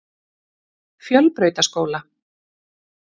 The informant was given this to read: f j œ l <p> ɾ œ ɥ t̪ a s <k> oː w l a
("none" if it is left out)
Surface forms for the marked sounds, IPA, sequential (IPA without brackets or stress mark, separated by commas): p, k